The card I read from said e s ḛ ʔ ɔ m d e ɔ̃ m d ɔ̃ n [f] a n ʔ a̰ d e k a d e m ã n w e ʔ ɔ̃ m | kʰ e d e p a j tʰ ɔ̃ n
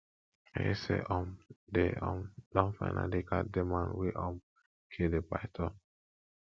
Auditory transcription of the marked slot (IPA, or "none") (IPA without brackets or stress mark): f